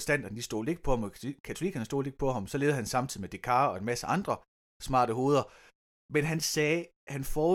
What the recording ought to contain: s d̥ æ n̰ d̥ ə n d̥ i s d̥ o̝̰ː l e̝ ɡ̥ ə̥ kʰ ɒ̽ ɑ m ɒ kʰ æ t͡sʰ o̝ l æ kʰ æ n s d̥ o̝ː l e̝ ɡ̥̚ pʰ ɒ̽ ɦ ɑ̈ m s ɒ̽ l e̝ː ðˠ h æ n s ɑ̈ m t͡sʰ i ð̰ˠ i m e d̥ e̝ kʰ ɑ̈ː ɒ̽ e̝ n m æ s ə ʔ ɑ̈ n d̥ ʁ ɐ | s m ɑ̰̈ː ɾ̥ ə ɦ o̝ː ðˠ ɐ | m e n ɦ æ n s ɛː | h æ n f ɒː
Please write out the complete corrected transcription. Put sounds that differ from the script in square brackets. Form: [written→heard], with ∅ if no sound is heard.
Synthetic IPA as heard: s d̥ æ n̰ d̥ [ə→ɐ] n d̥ i s d̥ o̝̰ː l e̝ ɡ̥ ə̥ [kʰ→pʰ] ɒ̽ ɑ m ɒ kʰ æ t͡sʰ o̝ l [æ→i] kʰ æ n s d̥ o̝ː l e̝ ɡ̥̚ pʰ ɒ̽ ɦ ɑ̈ m s ɒ̽ l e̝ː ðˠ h æ n s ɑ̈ m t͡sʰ i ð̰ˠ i m e d̥ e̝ kʰ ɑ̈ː ɒ̽ e̝ n m æ s ə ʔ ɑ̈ n d̥ ʁ ɐ | s m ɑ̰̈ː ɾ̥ ə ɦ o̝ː ðˠ ɐ | m e n ɦ æ n s ɛː | h æ n f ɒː